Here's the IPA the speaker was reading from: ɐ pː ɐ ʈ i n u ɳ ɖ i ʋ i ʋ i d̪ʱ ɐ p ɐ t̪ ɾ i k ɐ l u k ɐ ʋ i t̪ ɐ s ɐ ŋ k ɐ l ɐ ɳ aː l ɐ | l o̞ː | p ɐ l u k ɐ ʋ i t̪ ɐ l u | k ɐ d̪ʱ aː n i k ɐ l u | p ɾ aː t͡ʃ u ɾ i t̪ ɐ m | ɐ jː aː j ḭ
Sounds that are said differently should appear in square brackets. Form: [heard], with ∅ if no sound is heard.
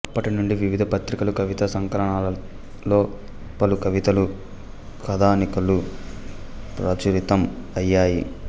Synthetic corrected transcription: ɐ pː ɐ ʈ i n u ɳ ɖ i ʋ i ʋ i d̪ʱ ɐ p ɐ t̪ ɾ i k ɐ l u k ɐ ʋ i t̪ ɐ s ɐ ŋ k ɐ l ɐ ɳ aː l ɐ | l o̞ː | p ɐ l u k ɐ ʋ i t̪ ɐ l u | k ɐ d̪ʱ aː n i k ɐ l u | p ɾ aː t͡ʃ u ɾ i t̪ ɐ m | ɐ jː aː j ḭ